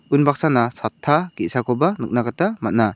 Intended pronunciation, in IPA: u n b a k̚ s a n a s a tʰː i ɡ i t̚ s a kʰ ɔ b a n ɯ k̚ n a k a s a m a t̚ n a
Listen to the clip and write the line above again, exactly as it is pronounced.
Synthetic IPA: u n b a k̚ s a n a s a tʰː a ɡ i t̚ s a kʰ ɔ b a n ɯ k̚ n a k a t a m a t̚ n a

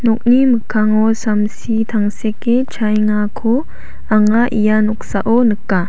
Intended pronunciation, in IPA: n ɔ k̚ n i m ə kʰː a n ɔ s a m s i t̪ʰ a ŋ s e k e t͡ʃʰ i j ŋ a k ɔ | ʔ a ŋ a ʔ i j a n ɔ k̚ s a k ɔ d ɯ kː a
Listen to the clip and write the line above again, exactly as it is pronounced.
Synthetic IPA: n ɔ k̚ n i m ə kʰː a ŋ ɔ s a m s i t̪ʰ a ŋ s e k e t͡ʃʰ a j ŋ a kʰ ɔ | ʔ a ŋ a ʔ i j a n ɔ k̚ s a ʔ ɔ n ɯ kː a

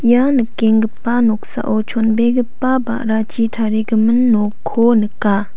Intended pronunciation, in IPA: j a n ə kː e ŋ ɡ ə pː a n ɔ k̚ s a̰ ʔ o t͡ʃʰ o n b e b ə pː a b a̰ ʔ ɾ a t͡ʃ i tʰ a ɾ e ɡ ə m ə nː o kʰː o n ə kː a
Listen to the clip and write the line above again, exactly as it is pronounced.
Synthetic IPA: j a n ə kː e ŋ ɡ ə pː a n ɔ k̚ s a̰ ʔ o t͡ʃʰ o n b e ɡ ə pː a b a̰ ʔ ɾ a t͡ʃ i tʰ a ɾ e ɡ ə m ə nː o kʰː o n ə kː a

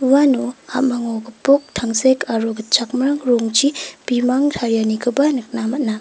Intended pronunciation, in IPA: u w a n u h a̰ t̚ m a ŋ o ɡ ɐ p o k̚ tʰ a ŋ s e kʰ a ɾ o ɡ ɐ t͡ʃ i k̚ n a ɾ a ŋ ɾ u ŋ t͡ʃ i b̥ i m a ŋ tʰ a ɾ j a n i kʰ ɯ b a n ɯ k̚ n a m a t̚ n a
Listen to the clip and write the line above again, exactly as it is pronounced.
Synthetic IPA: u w a n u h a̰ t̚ m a ŋ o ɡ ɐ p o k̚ tʰ a ŋ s e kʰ a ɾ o ɡ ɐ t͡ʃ a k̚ m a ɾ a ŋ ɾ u ŋ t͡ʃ i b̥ i m a ŋ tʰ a ɾ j a n i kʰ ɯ b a n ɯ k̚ n a m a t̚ n a

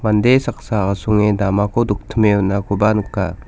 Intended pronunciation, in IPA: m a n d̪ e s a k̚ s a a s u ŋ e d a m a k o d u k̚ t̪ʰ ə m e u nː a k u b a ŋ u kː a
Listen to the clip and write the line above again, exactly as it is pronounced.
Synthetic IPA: m a n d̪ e s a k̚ s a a s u ŋ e d a m a k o d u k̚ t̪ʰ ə m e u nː a k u b a n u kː a

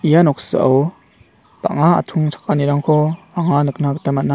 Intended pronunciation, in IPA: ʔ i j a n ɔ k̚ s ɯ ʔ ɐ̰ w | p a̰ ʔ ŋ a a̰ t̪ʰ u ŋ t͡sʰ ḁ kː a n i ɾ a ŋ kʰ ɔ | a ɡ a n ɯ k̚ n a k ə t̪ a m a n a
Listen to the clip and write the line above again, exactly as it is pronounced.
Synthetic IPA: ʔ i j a n ɔ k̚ s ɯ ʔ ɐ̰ w | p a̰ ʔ ŋ a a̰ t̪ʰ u ŋ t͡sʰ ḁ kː a n i ɾ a ŋ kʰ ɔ | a ŋ a n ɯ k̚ n a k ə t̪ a m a n a

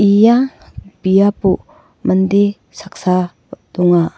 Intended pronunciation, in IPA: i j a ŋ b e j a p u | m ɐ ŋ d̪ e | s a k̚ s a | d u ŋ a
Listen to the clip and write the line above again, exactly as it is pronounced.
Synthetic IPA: i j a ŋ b i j a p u | m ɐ n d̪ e | s a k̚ s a | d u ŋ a

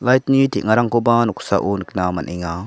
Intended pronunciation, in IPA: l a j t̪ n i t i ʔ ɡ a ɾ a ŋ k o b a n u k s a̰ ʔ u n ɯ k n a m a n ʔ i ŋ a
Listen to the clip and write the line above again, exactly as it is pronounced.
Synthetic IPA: l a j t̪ n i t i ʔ ŋ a ɾ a ŋ k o b a n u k s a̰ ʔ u n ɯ k n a m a n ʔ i ŋ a

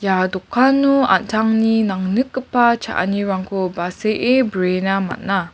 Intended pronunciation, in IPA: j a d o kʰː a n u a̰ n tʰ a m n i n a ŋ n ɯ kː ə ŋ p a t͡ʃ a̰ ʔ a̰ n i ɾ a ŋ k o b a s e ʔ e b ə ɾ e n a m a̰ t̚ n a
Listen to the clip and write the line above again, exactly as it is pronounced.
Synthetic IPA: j a d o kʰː a n u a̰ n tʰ a ŋ n i n a ŋ n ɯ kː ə p a t͡ʃ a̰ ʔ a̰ n i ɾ a ŋ k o b a s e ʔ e b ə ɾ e n a m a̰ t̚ n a

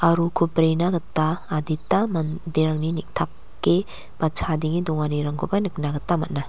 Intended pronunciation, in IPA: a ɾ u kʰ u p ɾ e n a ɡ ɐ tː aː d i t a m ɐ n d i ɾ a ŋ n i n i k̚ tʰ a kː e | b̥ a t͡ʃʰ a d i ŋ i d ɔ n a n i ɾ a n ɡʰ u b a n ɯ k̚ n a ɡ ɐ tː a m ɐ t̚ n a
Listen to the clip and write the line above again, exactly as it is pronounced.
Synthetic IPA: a ɾ u kʰ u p ɾ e n a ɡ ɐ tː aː d i t a m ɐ n d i ɾ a ŋ n i n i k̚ tʰ a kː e | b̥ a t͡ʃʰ a d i ŋ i d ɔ ŋ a n i ɾ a ŋ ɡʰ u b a n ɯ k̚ n a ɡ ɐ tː a m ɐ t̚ n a

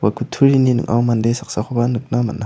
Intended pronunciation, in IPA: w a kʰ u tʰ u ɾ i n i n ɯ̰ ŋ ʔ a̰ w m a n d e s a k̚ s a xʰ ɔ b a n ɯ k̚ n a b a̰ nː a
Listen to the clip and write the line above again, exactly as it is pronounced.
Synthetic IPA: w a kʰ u tʰ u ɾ i n i n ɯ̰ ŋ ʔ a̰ w m a n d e s a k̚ s a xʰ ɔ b a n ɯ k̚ n a m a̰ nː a

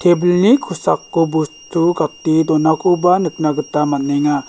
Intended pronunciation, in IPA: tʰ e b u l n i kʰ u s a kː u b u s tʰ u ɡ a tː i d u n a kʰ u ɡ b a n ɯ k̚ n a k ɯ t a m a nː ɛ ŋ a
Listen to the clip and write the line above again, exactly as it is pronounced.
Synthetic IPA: tʰ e b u l n i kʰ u s a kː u b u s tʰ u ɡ a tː i d ɔ n a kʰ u b a n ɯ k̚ n a ɡ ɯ t a m a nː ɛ ŋ a

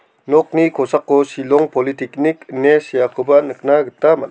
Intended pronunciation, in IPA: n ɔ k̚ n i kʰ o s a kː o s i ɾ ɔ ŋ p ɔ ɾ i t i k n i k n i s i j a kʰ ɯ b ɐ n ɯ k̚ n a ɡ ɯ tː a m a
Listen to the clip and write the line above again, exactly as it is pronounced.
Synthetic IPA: n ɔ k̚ n i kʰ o s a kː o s i l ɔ ŋ p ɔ l i t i k n i k n e s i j a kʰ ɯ b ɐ n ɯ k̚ n a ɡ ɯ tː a m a

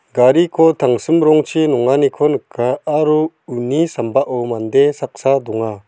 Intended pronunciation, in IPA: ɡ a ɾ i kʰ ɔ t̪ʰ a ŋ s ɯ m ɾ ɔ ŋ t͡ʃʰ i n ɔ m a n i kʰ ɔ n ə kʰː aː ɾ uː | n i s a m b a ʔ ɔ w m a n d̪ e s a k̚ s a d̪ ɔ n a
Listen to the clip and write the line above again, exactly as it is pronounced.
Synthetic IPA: ɡ a ɾ i kʰ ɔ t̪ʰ a ŋ s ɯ m ɾ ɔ ŋ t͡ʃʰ i n ɔ ŋ a n i kʰ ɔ n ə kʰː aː ɾ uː | n i s a m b a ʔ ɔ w m a n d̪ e s a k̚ s a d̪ ɔ ŋ a

